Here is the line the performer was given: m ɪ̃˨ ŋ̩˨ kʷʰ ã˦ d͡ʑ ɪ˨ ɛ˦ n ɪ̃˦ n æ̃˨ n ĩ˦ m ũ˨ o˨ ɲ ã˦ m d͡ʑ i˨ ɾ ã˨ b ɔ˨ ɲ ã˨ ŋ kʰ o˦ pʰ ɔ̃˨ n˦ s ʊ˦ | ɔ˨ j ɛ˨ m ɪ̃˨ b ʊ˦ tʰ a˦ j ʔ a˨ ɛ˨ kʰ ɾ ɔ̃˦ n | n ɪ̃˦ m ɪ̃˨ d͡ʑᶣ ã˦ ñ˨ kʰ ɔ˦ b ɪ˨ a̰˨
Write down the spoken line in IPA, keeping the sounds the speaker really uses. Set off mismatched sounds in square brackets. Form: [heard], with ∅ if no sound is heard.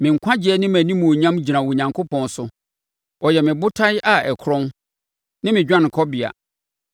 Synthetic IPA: m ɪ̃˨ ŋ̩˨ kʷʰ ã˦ d͡ʑ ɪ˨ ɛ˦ n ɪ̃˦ [m] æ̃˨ n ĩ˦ m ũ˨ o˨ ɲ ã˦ m d͡ʑ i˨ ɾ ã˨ [w] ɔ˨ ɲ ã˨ ŋ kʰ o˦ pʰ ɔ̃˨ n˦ s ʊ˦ | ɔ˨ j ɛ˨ m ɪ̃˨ b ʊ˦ tʰ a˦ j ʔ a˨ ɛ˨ kʰ ɾ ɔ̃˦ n | n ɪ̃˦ m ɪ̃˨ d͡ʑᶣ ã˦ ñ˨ kʰ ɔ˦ b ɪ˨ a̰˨